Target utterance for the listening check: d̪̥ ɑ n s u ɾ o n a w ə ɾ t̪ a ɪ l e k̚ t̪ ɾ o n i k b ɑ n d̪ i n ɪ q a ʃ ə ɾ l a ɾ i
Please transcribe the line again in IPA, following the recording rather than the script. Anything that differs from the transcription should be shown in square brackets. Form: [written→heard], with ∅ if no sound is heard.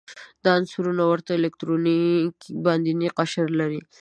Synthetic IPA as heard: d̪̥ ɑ n s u ɾ [o→u] n a w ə ɾ t̪ a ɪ l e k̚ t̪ ɾ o n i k b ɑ n d̪ i n [ɪ→i] q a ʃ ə ɾ l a ɾ i